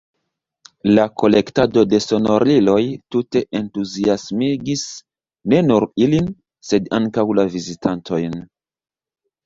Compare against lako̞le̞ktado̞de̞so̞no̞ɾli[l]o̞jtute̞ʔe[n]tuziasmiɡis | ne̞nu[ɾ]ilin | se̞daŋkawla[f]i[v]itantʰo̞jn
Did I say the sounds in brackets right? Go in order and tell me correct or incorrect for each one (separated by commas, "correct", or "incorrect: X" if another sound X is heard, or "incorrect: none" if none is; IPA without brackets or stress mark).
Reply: correct, correct, correct, incorrect: v, incorrect: z